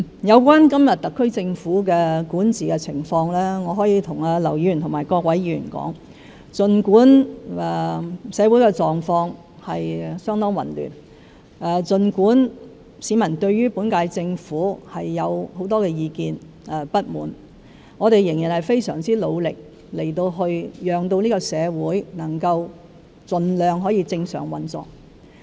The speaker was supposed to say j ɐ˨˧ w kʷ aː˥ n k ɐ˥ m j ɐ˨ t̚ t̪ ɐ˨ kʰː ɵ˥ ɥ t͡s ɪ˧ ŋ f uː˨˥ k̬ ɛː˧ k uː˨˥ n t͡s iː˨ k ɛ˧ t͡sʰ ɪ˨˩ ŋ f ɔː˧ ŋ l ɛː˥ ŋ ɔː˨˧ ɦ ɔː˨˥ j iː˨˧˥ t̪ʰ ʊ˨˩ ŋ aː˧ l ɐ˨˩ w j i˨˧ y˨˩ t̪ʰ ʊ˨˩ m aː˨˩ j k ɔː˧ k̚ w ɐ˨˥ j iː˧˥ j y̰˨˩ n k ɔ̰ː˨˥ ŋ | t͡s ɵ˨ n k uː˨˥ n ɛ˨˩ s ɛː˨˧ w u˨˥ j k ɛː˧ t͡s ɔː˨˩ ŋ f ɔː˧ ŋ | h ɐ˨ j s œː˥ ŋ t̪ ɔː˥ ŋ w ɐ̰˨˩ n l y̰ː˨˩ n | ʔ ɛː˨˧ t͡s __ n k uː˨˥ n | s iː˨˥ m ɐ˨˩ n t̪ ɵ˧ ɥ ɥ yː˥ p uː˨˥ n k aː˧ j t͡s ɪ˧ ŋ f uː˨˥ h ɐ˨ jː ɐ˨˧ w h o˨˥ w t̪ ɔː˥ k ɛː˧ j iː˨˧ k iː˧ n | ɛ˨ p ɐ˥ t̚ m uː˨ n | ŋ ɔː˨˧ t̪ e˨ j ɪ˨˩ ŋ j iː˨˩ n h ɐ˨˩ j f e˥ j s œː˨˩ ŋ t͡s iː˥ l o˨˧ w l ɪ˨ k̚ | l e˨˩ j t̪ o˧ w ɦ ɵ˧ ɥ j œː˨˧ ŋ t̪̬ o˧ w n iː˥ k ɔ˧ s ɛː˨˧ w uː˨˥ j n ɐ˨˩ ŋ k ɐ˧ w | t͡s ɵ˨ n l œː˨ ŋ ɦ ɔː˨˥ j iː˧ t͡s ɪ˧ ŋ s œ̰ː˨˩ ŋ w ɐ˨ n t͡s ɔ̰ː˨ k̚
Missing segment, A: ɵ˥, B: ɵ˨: B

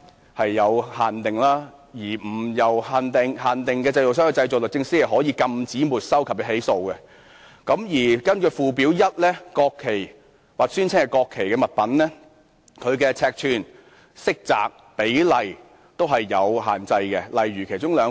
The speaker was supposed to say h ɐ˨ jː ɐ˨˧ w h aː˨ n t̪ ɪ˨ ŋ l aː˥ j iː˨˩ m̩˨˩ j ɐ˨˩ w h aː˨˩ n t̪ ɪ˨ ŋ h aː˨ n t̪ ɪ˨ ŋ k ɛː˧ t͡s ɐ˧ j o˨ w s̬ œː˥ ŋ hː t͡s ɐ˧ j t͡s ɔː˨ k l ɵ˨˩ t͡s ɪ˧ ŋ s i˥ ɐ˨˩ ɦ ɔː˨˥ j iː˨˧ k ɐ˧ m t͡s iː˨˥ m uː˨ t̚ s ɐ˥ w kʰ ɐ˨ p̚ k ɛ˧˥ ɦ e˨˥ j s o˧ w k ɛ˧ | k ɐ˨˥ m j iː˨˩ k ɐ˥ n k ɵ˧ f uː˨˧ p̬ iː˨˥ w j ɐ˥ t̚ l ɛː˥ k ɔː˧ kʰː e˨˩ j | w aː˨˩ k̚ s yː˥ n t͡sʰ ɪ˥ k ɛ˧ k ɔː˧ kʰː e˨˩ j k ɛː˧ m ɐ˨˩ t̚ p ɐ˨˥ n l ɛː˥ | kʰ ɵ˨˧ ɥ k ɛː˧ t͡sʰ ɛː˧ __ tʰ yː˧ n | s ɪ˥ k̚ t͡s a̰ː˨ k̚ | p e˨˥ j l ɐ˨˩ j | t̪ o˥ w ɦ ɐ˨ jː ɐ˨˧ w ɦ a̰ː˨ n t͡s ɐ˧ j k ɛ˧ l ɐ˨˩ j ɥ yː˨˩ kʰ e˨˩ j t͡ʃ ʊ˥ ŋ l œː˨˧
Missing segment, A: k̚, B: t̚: A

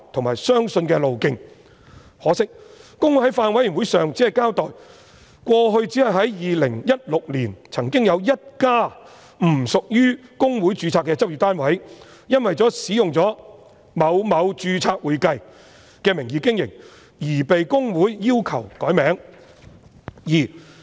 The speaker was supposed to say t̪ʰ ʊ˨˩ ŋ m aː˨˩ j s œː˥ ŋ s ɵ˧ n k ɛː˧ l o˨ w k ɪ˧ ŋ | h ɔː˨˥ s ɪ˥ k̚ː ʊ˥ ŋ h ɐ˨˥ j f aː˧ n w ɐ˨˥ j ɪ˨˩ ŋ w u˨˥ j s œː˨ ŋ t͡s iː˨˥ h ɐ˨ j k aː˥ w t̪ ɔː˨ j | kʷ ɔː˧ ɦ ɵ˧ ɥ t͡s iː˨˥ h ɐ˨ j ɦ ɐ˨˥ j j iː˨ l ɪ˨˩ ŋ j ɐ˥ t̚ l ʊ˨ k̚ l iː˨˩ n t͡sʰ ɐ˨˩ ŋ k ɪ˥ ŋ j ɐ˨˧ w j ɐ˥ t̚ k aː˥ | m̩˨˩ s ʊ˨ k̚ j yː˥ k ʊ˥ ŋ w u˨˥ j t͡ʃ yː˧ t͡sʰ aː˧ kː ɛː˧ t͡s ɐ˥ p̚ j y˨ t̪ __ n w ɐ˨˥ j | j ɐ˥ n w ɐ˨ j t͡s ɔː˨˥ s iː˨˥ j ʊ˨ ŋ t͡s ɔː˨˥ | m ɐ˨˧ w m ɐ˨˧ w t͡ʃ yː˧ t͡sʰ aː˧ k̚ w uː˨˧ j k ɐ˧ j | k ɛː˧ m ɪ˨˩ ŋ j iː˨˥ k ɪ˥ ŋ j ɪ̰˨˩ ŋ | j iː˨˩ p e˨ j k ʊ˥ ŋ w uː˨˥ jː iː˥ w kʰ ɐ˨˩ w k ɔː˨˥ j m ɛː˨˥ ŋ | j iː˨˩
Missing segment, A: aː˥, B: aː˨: A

